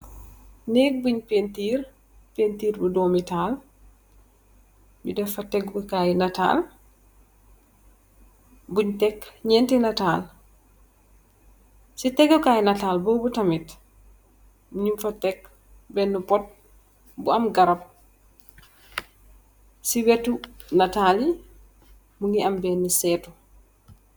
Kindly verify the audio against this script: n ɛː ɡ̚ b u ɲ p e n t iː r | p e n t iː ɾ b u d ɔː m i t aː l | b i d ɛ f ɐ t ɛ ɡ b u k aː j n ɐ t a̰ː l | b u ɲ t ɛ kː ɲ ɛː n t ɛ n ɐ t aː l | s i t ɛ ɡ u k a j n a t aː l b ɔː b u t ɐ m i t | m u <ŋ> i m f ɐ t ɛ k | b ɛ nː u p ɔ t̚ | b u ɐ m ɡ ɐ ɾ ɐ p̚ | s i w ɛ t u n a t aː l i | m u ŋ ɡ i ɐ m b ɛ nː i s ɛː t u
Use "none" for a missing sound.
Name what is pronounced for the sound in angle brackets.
ɲ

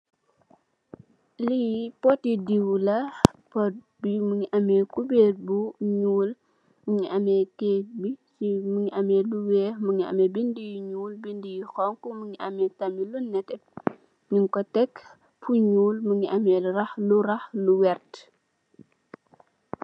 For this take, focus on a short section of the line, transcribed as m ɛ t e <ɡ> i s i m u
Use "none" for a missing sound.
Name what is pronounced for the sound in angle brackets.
b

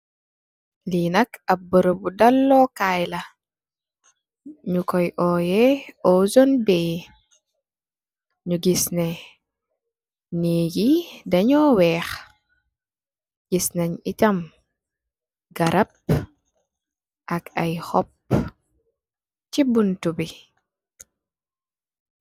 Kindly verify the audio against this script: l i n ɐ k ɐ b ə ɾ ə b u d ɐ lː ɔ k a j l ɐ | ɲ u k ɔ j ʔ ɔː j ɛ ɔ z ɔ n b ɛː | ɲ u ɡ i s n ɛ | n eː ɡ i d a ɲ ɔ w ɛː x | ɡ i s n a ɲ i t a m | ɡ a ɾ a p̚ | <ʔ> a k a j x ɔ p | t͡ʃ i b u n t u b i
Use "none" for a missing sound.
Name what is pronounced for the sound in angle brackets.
ʔ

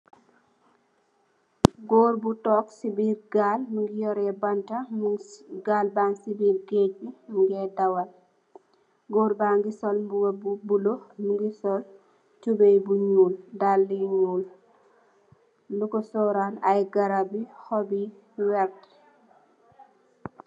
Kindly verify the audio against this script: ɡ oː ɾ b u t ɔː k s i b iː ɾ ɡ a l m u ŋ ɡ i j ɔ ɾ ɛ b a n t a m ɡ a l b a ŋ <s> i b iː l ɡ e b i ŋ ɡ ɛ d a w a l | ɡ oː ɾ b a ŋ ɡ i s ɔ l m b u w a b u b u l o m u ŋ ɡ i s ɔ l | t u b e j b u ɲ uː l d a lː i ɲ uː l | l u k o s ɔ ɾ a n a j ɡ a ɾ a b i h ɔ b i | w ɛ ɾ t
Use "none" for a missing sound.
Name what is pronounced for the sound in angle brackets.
s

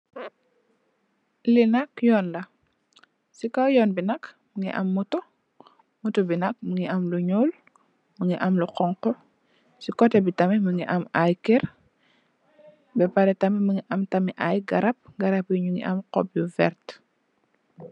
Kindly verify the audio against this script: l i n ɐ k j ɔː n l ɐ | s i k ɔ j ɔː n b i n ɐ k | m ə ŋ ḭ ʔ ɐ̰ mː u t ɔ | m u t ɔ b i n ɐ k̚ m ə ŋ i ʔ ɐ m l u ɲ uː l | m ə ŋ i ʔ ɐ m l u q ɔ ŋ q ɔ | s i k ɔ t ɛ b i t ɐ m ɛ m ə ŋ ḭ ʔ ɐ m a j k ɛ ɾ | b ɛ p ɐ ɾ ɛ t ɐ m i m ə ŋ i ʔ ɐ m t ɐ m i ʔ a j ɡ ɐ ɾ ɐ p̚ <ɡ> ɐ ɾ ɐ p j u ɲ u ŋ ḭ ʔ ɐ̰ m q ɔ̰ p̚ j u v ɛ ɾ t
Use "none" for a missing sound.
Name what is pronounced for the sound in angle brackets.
ɡ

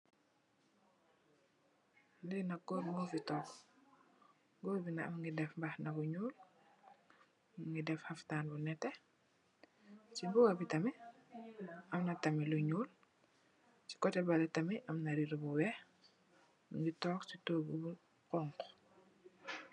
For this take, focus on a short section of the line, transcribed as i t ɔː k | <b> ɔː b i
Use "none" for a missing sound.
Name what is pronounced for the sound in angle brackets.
ɡ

